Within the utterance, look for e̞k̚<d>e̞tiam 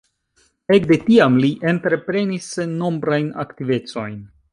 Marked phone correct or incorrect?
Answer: correct